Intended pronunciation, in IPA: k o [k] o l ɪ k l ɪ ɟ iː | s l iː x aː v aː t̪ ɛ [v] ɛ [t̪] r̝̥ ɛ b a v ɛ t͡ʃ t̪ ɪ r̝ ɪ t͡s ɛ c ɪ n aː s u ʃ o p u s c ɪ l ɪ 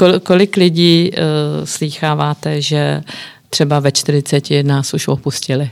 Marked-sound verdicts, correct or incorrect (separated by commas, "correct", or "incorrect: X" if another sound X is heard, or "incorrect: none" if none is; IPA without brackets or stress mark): correct, incorrect: ʒ, correct